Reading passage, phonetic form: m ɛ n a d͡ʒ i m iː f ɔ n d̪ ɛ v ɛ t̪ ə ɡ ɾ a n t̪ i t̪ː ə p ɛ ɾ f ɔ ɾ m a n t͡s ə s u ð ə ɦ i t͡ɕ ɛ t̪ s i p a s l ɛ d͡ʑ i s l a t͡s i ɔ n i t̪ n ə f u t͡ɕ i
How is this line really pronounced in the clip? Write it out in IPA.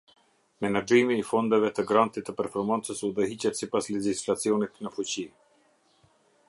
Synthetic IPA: m ɛ n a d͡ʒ i m iː f ɔ n d̪ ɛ v ɛ t̪ ə ɡ ɾ a n t̪ i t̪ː ə p ɛ ɾ f ɔ ɾ m a n t͡s ə s u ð ə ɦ i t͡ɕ ɛ t̪ s i p a s l ɛ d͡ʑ i s l a t͡s i ɔ n i t̪ n ə f u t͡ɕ i